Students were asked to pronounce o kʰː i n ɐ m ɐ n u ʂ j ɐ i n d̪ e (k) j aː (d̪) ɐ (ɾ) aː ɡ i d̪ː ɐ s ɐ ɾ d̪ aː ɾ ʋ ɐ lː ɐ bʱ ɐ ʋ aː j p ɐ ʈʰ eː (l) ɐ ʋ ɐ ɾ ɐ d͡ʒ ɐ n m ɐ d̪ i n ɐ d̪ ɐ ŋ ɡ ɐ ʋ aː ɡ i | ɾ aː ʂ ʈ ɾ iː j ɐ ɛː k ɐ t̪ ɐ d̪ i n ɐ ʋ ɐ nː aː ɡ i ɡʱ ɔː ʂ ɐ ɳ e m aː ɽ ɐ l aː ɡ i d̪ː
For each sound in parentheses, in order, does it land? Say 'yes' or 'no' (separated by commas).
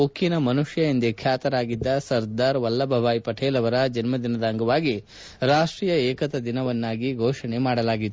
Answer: no, no, yes, yes